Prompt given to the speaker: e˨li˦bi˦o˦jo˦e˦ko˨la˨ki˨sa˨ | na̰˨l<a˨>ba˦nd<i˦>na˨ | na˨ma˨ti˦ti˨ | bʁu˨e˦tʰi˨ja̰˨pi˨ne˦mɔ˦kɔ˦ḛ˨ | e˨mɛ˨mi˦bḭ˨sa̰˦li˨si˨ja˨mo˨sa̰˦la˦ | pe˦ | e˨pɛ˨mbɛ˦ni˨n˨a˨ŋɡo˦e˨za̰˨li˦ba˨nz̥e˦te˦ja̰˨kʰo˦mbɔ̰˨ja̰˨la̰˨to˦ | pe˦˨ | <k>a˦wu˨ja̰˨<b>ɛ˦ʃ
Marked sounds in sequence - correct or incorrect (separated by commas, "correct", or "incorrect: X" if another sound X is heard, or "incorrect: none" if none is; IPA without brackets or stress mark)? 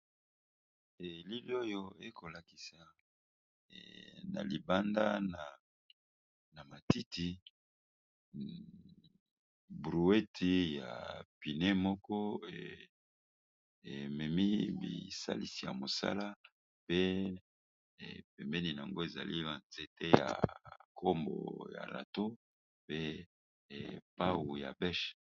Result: incorrect: i˨, incorrect: a˦, incorrect: p, correct